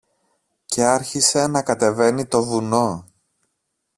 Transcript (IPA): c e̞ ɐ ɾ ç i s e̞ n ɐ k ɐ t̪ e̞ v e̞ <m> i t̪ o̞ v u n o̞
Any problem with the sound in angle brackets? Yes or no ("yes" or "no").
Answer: yes